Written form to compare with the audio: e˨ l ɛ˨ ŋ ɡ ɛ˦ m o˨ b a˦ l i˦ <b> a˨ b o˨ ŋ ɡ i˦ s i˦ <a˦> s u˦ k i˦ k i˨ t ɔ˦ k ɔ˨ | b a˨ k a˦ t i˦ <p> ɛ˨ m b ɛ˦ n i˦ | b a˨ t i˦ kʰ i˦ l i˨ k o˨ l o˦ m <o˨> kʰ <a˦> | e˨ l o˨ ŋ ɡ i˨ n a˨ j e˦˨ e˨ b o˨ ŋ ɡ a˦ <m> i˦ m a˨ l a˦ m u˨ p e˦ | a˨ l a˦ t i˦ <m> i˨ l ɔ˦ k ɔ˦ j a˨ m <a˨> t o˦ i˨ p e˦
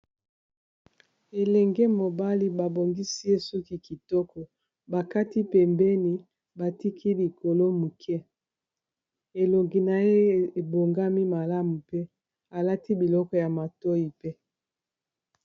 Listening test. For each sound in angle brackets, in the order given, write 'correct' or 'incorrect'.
correct, incorrect: e˦, correct, incorrect: u˨, incorrect: ɛ˦, correct, incorrect: b, correct

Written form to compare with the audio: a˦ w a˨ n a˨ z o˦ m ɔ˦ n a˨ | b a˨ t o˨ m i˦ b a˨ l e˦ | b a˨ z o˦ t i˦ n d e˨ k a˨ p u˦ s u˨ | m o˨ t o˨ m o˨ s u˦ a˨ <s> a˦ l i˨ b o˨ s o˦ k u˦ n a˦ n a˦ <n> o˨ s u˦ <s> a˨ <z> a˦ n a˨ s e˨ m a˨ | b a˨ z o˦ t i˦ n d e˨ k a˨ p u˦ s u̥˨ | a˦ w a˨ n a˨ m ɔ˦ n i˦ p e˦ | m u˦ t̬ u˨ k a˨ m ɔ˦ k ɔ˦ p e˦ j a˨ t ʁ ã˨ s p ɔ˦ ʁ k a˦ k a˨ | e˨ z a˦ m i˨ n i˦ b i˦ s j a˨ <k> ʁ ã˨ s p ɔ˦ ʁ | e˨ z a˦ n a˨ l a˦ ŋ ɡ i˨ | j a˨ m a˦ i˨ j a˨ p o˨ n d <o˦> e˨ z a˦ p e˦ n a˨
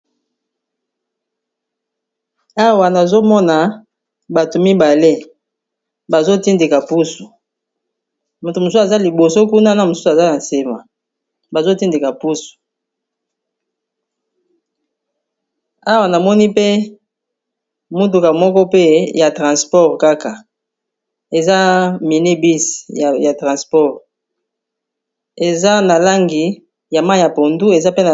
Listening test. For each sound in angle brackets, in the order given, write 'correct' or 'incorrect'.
incorrect: z, incorrect: m, correct, correct, incorrect: t, incorrect: u˦

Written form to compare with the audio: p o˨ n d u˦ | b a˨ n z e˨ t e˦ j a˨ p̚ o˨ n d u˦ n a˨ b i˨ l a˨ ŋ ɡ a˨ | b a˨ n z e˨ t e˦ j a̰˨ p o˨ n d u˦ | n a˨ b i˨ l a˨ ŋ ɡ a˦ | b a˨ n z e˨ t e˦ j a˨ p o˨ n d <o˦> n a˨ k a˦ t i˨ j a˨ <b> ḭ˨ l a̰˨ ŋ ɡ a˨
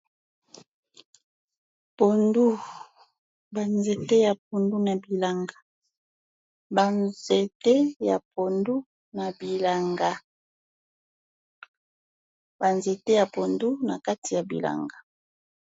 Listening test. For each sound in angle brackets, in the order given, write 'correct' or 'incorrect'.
incorrect: u˦, correct

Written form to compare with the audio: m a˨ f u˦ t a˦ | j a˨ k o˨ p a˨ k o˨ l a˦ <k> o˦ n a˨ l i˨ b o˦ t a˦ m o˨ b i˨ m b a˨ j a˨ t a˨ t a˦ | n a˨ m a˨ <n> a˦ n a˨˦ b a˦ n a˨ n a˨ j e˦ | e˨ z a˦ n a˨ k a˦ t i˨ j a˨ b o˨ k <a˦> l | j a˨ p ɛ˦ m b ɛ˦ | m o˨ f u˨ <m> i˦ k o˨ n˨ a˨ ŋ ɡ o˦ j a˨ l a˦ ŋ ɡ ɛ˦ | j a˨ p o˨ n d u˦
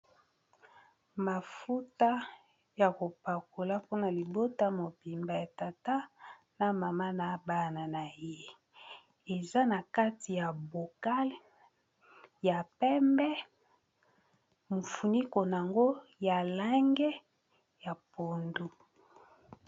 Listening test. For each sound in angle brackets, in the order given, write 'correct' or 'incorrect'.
incorrect: p, incorrect: m, correct, incorrect: n

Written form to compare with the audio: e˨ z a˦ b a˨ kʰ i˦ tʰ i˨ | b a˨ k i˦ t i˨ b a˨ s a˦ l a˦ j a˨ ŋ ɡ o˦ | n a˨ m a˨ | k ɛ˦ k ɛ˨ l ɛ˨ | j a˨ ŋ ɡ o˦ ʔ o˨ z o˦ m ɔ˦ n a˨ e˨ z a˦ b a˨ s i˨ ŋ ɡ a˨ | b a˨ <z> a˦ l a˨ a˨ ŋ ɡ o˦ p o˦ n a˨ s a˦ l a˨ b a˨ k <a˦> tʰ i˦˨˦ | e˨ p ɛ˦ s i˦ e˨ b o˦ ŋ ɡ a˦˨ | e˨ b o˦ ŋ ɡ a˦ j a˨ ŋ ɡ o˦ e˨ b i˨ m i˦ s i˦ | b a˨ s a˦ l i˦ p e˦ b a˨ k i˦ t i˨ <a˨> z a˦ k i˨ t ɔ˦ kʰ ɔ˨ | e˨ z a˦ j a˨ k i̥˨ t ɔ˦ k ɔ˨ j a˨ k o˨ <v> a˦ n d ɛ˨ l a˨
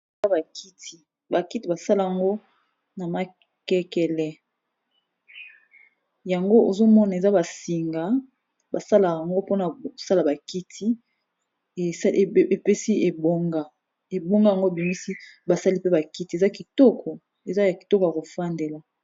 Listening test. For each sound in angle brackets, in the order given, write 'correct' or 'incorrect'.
incorrect: s, incorrect: i˦, incorrect: e˨, incorrect: f

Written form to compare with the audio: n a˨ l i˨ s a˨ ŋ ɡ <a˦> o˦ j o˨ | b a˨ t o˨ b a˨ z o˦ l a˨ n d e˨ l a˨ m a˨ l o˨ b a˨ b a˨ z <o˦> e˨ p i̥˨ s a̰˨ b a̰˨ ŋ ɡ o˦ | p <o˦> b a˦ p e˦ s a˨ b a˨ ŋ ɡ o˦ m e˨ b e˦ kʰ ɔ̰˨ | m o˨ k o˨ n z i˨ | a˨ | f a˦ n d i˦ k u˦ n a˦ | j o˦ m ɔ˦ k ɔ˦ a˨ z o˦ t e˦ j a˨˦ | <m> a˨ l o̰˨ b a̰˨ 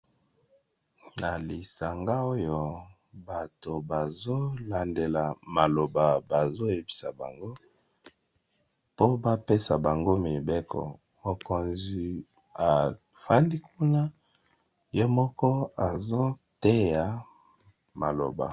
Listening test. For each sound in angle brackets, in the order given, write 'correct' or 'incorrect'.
correct, correct, correct, correct

